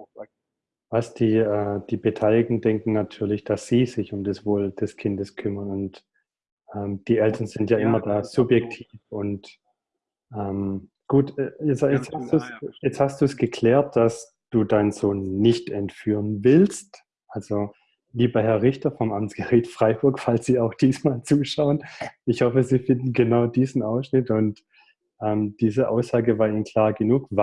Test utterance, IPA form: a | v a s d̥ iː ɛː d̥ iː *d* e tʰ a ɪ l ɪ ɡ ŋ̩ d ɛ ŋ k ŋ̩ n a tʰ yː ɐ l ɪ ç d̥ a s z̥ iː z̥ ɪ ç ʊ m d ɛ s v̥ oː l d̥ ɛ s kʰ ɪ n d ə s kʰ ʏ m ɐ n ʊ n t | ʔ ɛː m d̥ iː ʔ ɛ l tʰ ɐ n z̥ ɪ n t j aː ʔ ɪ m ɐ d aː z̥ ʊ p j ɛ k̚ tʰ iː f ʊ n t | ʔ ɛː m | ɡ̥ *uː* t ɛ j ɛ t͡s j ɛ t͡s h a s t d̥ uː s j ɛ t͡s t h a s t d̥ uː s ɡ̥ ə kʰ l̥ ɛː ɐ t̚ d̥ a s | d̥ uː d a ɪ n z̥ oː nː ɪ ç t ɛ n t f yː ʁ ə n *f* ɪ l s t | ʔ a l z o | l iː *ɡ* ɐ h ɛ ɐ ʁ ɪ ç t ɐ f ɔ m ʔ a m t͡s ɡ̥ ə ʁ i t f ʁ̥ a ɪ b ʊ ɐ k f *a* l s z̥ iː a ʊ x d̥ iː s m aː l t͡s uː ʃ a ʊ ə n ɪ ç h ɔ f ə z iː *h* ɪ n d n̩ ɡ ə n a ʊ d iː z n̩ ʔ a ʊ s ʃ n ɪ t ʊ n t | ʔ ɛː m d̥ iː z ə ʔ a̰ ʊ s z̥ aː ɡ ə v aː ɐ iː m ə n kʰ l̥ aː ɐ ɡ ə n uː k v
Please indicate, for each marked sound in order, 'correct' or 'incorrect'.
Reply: incorrect: b, correct, incorrect: v, incorrect: b, correct, incorrect: f

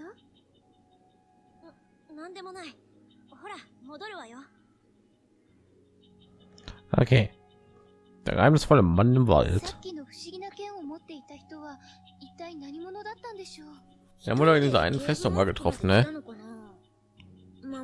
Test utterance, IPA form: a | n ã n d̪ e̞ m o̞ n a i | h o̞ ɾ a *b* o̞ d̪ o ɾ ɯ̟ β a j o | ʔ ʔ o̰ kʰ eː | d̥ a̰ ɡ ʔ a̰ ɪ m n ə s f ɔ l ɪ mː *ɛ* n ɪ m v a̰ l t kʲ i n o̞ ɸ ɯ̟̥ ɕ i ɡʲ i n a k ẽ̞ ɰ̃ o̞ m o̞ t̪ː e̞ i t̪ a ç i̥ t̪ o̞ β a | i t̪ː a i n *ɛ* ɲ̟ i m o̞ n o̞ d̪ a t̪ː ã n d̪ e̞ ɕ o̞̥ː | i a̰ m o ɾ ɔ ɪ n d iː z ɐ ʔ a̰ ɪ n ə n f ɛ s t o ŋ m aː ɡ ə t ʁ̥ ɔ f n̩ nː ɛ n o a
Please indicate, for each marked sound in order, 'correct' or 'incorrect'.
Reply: incorrect: m, incorrect: a, incorrect: a

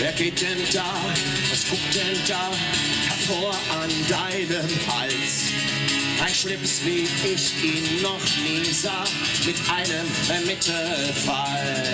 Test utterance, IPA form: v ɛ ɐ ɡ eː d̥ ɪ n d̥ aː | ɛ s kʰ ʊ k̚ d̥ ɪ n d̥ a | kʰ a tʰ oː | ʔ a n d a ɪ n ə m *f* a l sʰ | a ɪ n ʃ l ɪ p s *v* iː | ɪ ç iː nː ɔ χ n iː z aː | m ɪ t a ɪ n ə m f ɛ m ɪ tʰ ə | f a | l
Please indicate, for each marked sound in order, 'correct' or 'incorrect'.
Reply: incorrect: h, correct

